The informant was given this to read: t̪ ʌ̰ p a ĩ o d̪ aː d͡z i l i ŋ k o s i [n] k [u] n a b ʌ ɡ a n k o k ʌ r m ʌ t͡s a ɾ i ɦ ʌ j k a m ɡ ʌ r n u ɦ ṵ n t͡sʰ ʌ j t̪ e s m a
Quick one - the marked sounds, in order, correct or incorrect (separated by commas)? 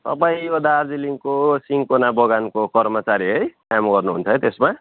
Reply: incorrect, incorrect